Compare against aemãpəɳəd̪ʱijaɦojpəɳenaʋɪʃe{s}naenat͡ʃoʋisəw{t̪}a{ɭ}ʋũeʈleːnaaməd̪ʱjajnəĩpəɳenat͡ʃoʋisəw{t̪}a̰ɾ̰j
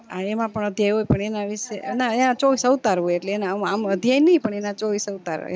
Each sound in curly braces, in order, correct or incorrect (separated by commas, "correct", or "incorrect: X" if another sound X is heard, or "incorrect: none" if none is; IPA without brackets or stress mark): incorrect: none, correct, incorrect: ɾ, correct